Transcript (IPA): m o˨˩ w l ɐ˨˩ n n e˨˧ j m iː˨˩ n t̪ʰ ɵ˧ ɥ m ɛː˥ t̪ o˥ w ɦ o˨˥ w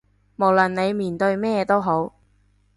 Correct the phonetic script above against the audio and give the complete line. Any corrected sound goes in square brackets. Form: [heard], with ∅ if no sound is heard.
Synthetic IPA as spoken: m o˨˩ w l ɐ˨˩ n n e˨˧ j m iː˨˩ n [t̪] ɵ˧ ɥ m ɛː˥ t̪ o˥ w ɦ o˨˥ w